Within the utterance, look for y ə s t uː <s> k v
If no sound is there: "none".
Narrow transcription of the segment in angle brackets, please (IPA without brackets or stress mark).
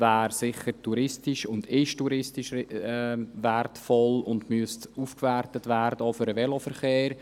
f